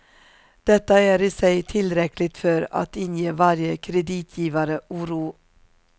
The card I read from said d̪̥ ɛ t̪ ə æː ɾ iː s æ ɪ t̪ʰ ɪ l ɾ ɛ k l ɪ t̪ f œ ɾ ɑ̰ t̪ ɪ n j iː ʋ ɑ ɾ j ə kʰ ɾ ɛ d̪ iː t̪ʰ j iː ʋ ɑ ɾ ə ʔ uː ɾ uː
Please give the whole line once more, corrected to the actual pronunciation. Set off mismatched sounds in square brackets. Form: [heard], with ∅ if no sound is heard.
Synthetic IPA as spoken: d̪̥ ɛ t̪ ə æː ɾ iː s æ ɪ t̪ʰ ɪ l ɾ ɛ k l ɪ t̪ f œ ɾ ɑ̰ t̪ ɪ n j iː ʋ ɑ ɾ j ə kʰ ɾ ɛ d̪ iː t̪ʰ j iː ʋ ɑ ɾ ə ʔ uː ɾ uː